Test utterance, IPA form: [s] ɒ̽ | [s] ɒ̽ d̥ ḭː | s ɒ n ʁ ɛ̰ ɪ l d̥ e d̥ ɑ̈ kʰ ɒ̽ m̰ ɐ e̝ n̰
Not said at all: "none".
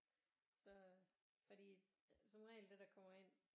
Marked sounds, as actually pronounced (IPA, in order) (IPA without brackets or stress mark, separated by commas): s, f